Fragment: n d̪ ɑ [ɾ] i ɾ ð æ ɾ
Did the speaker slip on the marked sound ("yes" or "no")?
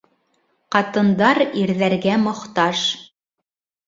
no